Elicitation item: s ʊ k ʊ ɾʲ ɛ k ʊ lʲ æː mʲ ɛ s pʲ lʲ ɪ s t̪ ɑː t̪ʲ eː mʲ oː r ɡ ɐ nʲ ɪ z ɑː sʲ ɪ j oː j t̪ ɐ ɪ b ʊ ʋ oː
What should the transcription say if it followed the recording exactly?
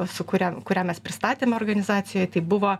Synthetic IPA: s ʊ k ʊ ɾʲ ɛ k ʊ ɾʲ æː mʲ ɛ s pʲ ɾʲ ɪ s t̪ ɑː t̪ʲ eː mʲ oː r ɡ ɐ nʲ ɪ z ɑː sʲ ɪ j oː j t̪ ɐ ɪ b ʊ ʋ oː